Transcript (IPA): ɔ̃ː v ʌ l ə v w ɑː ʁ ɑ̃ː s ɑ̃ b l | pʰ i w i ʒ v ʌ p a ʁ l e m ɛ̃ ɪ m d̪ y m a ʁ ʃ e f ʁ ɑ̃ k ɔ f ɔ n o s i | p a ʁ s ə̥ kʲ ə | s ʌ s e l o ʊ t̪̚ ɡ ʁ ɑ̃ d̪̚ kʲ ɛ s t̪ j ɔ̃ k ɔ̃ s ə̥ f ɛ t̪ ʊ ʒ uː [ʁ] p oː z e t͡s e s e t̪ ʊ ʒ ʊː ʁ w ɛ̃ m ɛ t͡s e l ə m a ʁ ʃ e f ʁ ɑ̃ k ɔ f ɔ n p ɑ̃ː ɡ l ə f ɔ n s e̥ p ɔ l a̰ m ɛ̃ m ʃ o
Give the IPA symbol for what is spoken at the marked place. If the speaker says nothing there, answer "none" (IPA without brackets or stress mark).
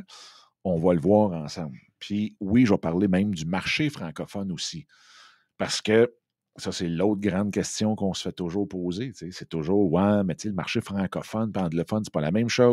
ʁ